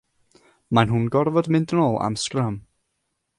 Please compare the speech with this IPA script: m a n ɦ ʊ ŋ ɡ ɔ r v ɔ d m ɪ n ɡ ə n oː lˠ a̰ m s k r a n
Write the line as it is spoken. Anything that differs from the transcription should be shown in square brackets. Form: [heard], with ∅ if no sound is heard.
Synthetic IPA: m a n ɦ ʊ [n] ɡ ɔ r v ɔ d m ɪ n [d] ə n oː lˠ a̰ m s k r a [m]